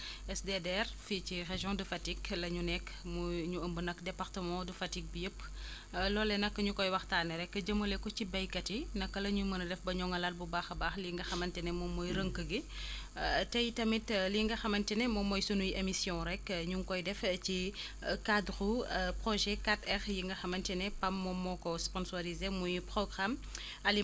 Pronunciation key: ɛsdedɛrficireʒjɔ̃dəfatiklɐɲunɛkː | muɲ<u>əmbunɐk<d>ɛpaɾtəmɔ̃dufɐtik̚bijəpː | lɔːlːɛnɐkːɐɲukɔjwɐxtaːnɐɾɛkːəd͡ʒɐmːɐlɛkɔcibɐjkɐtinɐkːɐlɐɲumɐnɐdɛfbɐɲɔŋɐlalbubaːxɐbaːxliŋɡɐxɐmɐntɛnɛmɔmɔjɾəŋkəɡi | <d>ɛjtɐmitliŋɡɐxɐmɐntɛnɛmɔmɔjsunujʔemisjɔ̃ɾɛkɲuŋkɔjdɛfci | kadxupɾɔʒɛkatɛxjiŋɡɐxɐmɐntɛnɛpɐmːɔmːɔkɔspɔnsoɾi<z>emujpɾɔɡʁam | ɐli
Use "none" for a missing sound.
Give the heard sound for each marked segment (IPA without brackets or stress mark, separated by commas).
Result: u, d, t, z